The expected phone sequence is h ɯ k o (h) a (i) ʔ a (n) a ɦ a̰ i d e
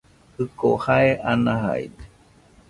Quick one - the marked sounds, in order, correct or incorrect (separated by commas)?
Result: correct, incorrect, correct